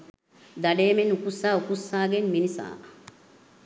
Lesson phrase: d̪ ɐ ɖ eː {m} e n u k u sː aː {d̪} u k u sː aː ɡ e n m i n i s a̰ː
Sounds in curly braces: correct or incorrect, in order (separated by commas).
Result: correct, incorrect